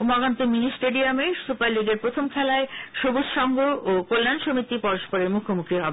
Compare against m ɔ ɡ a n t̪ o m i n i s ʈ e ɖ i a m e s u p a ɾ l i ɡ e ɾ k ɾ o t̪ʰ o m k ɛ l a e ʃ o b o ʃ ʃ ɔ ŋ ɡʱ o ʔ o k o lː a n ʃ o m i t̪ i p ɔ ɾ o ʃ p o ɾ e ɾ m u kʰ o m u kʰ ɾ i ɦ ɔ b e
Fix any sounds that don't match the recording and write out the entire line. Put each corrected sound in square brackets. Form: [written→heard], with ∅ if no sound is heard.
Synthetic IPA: m ɔ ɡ a n t̪ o m i n i s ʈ e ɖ i a m e s u p a ɾ l i ɡ e ɾ [k→p] ɾ o t̪ʰ o m [k→kʰ] ɛ l a e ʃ o b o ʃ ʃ ɔ ŋ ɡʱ o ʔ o k o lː a n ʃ o m i t̪ i p ɔ ɾ o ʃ p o ɾ e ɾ m u kʰ o m u [kʰ→k] ɾ i ɦ ɔ b e